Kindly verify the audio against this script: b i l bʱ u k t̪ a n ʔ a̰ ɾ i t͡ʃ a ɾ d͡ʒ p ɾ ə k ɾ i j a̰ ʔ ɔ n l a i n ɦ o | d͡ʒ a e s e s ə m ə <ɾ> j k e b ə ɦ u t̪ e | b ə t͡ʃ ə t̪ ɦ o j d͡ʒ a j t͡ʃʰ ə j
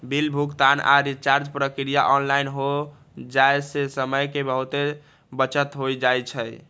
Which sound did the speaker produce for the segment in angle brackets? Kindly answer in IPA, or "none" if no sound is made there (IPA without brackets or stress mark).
none